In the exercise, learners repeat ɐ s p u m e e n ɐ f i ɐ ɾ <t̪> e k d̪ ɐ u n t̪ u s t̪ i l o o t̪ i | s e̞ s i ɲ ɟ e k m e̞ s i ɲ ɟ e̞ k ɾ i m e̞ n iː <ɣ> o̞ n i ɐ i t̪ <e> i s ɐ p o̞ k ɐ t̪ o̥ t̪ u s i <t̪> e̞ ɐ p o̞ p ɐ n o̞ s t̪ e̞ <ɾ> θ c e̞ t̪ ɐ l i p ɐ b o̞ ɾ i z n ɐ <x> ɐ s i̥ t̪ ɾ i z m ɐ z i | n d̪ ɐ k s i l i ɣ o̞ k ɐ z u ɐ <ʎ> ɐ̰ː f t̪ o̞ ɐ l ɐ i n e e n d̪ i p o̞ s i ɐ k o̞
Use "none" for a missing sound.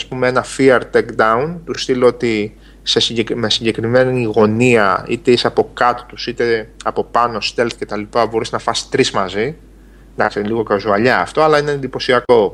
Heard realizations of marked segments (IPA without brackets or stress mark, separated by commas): t̪, ɣ, e, t̪, l, f, ʎ